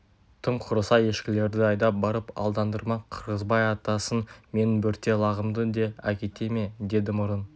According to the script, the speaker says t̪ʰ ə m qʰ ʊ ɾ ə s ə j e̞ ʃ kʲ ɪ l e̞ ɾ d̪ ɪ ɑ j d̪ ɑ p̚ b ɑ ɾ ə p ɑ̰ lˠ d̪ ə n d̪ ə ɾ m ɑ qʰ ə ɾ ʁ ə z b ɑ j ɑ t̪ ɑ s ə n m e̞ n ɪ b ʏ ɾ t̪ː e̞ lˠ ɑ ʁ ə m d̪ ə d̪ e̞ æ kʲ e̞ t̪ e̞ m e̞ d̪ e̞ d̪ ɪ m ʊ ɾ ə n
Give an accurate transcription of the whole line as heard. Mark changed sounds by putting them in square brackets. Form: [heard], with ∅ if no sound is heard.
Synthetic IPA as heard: t̪ʰ ə m qʰ ʊ ɾ ə s [ɑ] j e̞ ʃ kʲ ɪ l e̞ ɾ d̪ ɪ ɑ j d̪ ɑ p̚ b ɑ ɾ ə p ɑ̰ lˠ d̪ [ɑ] n d̪ ə ɾ m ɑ qʰ ə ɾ ʁ ə z b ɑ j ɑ t̪ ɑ s ə n m e̞ n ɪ b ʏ ɾ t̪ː e̞ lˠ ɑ ʁ ə m d̪ ə d̪ e̞ æ kʲ e̞ t̪ e̞ m e̞ d̪ e̞ d̪ ɪ m ʊ ɾ ə n